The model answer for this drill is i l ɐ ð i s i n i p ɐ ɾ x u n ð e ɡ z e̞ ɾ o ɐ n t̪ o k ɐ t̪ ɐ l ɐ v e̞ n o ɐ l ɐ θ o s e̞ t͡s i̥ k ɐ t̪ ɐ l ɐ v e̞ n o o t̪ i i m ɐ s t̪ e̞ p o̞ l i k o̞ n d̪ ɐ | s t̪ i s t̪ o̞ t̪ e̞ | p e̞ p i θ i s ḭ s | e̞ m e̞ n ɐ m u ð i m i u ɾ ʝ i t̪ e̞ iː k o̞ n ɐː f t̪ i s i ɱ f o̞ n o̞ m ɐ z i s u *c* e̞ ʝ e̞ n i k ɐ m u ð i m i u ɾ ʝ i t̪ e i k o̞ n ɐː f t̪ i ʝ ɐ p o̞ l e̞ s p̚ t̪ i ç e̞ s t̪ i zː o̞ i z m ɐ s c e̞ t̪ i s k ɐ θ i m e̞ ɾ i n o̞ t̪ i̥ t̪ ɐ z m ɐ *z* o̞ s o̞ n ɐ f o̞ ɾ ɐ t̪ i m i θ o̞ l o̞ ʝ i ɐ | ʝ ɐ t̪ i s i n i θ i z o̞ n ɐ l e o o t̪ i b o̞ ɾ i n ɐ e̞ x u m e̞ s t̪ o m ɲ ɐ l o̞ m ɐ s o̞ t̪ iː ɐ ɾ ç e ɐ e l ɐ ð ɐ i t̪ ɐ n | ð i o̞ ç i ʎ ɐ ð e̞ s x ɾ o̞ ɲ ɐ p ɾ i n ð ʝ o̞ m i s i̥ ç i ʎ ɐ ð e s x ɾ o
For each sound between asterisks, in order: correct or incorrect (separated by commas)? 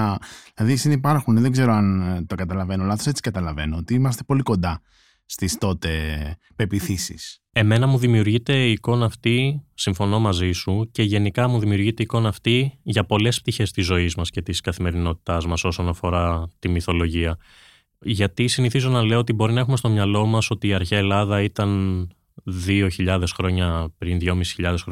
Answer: correct, incorrect